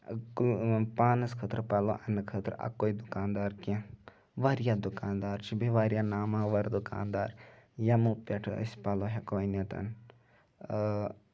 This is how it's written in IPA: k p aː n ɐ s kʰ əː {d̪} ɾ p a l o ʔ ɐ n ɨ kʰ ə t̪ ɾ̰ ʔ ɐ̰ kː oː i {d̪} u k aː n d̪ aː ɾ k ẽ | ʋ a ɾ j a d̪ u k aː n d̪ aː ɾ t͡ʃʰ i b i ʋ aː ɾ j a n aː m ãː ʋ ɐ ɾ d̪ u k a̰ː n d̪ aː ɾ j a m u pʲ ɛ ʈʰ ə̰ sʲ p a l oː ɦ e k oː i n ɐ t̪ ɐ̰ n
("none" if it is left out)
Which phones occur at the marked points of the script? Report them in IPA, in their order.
t̪, d̪

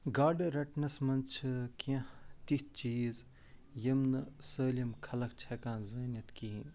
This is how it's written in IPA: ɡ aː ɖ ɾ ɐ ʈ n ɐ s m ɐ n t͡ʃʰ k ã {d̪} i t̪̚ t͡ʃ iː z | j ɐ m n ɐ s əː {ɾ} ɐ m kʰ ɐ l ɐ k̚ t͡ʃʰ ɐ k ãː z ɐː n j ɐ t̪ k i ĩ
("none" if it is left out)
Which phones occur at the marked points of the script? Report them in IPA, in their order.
t̪, l

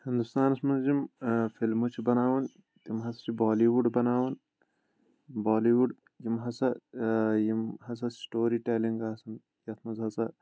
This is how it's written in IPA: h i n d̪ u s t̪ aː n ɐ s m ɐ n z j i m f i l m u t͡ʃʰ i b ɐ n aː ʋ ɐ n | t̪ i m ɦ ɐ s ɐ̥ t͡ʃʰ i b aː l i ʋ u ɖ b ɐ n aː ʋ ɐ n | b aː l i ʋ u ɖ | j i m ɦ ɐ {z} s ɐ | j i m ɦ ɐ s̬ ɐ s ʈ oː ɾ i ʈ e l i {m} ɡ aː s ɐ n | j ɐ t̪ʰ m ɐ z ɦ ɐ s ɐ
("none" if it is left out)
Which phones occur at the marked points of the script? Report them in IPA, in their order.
none, ŋ

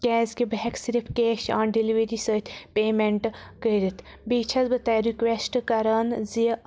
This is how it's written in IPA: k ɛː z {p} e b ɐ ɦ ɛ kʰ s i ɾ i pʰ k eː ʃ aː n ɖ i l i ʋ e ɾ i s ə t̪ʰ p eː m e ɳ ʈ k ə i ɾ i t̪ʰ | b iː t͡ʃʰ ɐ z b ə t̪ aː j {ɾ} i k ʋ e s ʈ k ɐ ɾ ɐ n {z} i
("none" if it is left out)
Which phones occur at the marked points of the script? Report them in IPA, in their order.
k, ɾ, z

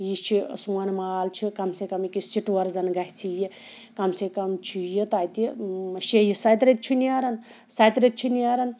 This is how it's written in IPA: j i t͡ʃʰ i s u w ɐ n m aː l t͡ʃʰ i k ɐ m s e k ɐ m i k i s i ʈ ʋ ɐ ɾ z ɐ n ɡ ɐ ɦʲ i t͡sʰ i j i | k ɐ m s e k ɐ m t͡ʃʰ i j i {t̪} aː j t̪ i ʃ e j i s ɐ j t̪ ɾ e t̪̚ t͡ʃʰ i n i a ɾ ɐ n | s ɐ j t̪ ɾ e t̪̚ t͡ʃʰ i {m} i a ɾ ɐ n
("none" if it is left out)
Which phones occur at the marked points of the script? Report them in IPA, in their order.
t̪, n

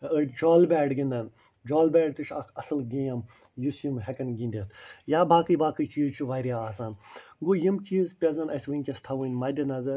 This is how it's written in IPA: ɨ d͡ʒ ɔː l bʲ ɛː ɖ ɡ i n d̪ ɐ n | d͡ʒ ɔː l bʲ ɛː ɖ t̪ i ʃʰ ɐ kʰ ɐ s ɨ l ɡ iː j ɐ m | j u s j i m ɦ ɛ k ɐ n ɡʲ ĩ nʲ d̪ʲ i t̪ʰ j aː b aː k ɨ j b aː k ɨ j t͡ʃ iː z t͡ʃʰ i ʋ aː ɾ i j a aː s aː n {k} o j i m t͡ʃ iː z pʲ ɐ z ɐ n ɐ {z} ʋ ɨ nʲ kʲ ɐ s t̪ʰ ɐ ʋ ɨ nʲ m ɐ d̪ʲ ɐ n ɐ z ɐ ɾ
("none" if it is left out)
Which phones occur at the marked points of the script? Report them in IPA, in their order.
ɡ, s

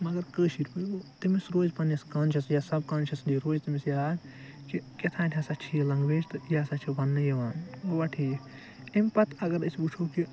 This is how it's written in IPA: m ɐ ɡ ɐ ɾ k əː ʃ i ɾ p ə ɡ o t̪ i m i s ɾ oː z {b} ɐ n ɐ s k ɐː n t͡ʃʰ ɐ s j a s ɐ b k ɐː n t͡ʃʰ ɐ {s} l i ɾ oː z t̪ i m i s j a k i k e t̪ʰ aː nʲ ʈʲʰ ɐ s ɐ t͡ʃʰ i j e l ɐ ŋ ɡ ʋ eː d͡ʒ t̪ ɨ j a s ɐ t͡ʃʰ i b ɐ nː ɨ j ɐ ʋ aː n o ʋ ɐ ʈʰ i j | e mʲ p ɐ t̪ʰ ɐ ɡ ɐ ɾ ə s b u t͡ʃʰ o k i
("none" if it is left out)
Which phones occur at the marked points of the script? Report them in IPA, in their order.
p, s

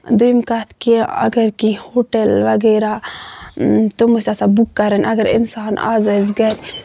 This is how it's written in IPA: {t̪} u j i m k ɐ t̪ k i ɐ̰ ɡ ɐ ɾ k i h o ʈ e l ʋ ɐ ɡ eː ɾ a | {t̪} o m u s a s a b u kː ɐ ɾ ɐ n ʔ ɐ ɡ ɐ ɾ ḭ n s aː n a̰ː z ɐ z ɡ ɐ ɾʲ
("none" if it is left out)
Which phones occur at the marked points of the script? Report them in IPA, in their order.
d̪, t̪

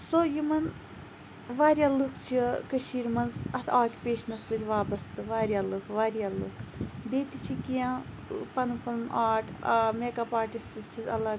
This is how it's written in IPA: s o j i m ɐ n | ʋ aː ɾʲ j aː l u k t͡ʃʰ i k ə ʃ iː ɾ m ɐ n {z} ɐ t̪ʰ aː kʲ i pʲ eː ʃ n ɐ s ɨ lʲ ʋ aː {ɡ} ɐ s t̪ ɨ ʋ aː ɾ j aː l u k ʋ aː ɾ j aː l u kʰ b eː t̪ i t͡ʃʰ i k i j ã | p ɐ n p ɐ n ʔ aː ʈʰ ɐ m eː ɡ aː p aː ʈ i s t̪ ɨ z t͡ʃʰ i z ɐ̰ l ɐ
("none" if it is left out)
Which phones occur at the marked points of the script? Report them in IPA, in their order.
z, b

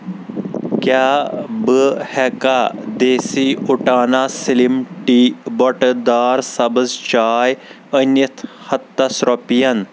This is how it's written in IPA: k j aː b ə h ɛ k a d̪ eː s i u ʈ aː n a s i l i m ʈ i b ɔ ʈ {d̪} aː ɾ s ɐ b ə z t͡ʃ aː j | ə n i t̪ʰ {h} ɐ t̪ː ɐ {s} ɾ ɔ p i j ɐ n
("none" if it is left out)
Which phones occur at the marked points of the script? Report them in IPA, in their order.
d̪, h, s

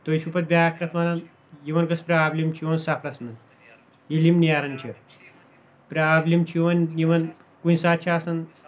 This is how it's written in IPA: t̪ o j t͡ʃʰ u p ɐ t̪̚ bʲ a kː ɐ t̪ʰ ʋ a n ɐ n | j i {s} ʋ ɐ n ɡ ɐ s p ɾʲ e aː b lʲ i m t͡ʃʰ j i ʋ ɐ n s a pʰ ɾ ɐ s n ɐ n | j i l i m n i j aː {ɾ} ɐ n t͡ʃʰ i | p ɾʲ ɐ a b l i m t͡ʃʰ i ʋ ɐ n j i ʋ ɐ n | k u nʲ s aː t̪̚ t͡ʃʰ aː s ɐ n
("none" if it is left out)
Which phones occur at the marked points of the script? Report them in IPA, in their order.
none, ɾ

